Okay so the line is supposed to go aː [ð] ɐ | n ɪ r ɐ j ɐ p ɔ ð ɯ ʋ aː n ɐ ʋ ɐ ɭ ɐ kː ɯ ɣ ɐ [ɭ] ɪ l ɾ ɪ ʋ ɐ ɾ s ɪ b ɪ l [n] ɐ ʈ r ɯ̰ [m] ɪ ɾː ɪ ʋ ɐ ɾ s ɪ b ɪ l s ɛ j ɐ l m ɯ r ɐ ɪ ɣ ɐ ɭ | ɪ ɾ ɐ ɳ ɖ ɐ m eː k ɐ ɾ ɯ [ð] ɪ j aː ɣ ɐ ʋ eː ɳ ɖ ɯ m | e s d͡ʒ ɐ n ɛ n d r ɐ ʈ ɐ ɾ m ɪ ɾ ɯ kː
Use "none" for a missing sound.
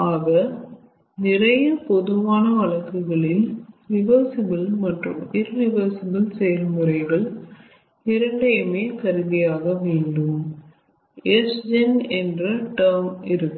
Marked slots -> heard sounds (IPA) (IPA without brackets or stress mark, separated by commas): ɣ, ɭ, m, m, ð